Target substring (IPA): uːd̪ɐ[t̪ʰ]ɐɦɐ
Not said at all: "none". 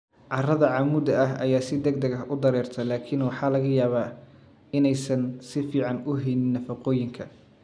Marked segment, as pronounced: none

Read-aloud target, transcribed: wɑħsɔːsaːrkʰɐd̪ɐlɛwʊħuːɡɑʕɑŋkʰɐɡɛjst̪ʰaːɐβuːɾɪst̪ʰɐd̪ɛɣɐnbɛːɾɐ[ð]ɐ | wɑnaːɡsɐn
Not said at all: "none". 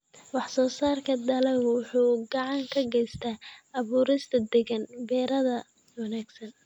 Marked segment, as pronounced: ð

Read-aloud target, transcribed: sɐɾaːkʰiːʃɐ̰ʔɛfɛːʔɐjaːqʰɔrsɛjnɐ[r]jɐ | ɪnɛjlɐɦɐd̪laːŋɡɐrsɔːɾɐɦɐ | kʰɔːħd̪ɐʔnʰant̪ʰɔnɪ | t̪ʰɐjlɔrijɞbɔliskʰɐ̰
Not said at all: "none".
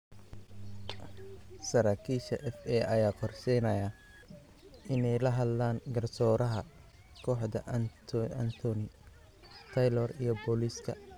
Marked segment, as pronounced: none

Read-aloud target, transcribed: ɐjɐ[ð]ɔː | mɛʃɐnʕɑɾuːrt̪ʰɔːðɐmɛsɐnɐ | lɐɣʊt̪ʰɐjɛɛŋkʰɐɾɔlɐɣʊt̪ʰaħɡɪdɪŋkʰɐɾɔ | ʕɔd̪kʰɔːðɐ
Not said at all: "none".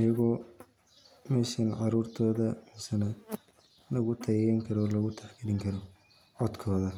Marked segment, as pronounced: ɣ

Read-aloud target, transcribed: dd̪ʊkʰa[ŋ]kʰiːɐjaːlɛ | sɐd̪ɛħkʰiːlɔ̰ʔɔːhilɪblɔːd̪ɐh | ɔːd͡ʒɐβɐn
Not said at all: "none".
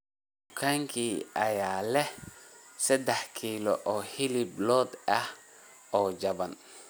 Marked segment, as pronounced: ŋ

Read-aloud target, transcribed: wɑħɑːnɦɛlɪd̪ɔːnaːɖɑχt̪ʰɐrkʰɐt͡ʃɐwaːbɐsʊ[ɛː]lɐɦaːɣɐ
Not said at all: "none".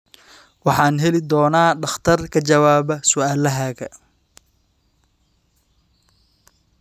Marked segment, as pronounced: aː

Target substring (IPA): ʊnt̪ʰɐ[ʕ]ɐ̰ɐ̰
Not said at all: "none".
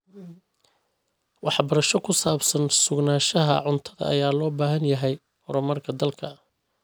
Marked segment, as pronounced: ð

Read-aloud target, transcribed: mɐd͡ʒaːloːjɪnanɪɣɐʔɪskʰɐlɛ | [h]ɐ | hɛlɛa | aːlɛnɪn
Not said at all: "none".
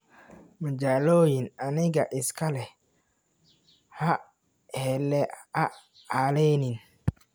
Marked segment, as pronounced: h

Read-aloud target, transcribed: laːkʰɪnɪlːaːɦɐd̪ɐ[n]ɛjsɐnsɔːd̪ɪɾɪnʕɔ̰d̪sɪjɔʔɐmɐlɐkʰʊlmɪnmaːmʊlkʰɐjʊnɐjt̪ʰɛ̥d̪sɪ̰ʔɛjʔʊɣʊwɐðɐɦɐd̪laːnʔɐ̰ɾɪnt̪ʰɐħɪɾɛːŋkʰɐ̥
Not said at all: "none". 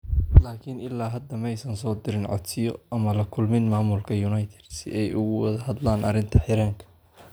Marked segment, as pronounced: m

